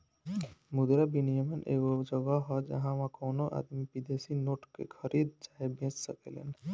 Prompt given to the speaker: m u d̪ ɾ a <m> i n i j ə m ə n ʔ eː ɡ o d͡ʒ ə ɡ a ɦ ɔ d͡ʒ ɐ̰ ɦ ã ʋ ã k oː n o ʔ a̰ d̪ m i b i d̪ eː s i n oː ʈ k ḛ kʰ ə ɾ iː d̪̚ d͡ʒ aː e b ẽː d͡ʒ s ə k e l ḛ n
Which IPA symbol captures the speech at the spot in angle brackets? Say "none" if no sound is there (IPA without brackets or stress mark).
b